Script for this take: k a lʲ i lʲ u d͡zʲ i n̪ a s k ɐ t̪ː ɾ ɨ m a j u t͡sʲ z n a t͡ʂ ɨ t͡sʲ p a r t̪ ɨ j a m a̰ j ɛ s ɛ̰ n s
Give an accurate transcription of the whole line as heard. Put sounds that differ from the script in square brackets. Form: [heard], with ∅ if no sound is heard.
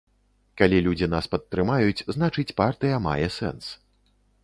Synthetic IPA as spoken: k a lʲ i lʲ u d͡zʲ i n̪ a s [p] ɐ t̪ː ɾ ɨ m a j u t͡sʲ z n a t͡ʂ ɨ t͡sʲ p a r t̪ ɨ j [ɐ] m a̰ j ɛ s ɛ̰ n s